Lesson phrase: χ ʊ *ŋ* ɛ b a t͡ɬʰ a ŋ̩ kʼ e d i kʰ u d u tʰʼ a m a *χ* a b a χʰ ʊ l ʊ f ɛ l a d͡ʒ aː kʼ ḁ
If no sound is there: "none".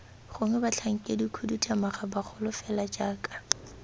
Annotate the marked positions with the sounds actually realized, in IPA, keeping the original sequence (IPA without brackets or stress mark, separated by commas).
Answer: ŋ, χ